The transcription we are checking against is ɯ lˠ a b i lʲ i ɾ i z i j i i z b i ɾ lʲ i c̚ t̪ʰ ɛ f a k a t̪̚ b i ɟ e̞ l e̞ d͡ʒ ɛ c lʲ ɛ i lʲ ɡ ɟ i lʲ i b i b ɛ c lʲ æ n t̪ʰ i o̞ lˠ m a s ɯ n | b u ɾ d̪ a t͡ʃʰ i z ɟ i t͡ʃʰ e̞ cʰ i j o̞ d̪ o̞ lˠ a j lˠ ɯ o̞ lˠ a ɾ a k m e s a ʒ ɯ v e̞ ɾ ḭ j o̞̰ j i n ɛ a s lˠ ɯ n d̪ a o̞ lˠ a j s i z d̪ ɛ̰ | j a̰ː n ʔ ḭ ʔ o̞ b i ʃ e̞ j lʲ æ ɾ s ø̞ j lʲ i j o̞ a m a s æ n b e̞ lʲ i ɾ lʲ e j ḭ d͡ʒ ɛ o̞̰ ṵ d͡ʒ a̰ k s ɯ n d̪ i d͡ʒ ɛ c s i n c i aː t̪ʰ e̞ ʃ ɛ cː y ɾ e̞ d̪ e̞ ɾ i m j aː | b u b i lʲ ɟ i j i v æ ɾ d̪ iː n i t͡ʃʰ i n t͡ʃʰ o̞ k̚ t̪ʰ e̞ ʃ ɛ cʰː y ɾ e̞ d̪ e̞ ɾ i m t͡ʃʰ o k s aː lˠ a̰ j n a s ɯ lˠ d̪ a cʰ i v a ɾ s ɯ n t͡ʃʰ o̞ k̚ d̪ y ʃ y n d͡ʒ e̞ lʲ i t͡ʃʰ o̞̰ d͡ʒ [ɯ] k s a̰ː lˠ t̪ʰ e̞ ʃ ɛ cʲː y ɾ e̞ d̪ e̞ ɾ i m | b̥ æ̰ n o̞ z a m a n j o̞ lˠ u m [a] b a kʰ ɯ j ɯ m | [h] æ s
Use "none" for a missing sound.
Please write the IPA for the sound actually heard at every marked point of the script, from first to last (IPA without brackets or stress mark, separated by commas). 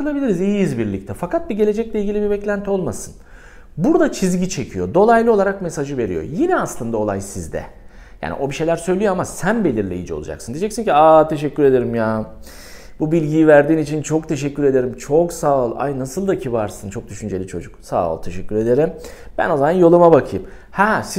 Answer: u, a, h